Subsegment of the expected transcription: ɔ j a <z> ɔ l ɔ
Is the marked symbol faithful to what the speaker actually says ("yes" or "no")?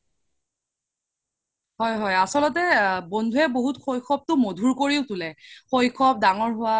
no